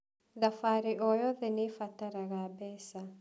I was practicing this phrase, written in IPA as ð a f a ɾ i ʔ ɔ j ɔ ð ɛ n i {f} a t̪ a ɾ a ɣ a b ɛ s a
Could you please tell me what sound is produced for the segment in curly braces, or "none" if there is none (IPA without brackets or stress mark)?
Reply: f